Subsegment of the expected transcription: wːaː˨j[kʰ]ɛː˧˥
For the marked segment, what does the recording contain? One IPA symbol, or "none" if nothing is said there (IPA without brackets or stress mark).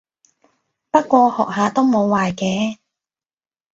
k